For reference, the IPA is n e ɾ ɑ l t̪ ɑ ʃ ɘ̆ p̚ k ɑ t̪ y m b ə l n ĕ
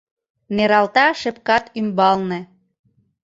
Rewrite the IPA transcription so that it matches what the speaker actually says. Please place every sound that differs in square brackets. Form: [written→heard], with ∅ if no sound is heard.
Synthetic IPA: n e ɾ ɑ l t̪ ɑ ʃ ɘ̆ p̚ k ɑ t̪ y m b [ə→ɑ] l n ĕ

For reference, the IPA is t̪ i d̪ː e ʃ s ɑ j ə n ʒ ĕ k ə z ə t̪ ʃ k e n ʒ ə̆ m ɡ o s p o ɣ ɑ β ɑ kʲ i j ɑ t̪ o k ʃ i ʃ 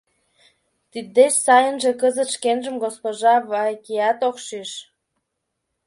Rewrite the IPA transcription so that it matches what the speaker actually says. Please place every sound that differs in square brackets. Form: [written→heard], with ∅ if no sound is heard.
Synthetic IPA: t̪ i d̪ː e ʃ s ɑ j ə n ʒ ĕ k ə z ə t̪ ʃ k e n ʒ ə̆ m ɡ o s p o [ɣ→ʒ] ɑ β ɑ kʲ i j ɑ t̪ o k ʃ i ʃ

